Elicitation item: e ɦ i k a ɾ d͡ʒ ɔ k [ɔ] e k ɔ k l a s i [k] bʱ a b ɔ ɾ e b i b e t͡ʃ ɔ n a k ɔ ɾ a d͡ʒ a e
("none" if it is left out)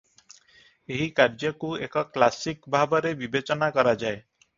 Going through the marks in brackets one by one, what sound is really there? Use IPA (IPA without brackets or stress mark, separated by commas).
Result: u, k